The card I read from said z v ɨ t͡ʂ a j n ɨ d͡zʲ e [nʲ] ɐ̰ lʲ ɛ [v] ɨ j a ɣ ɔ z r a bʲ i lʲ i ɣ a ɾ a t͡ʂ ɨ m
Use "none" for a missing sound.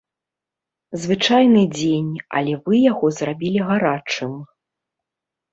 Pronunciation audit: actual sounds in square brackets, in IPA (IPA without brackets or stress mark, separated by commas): nʲ, v